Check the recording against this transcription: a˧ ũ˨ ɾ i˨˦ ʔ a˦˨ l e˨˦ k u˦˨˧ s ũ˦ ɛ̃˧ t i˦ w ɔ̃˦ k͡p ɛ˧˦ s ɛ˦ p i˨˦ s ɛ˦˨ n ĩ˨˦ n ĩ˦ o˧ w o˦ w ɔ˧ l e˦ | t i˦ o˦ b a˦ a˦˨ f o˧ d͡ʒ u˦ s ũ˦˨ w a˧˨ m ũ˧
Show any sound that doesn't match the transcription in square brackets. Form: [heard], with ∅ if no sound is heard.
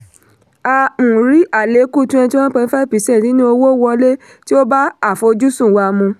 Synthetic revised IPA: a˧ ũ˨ ɾ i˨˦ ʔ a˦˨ l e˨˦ k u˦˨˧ [t] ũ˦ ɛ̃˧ t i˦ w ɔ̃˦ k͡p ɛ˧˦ [f] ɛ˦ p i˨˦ s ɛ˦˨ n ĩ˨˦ n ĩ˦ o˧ w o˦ w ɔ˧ l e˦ | t i˦ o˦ b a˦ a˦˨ f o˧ d͡ʒ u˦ s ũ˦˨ w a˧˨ m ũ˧